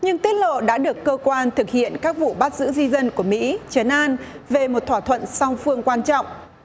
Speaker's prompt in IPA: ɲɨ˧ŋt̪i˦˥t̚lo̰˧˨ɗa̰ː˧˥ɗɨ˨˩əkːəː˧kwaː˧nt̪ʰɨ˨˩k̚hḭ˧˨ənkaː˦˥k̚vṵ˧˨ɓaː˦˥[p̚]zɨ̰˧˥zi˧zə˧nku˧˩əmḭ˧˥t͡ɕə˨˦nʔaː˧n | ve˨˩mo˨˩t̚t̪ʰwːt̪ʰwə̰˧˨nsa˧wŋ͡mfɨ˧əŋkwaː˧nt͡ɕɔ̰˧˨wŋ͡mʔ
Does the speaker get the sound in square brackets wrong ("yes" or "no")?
yes